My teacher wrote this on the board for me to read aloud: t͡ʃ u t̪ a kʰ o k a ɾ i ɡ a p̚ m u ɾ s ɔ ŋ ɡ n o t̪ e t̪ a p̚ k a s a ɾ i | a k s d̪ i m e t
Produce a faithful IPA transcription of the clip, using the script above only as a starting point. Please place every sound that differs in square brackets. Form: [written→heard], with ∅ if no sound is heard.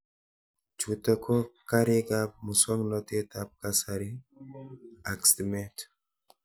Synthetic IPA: t͡ʃ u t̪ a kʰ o k a ɾ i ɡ a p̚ m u [ɾ→∅] s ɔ ŋ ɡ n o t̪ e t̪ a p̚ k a s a ɾ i | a k s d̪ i m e t